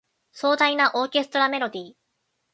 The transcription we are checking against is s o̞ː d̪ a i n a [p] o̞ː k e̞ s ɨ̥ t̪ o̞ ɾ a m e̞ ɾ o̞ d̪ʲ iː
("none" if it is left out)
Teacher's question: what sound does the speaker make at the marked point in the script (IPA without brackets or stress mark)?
ʔ